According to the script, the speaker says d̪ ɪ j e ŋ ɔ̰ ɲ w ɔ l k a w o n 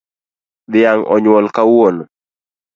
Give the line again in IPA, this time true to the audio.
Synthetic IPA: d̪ ɪ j a ŋ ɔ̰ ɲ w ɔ l k a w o n